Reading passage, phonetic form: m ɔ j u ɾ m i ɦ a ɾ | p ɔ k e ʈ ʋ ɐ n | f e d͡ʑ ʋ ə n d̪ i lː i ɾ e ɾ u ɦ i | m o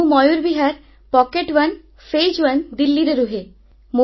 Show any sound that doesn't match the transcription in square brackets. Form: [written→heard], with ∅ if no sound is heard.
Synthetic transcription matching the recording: m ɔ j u ɾ [m→b] i ɦ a ɾ | p ɔ k e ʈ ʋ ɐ n | f e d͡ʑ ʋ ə n d̪ i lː i ɾ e ɾ u ɦ [i→e] | m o